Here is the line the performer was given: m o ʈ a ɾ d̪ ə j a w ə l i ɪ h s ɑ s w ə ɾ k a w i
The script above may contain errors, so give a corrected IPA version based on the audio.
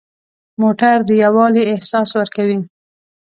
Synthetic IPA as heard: m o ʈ a ɾ d̪ ə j a w ɑ l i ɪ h s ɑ s w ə ɾ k a w i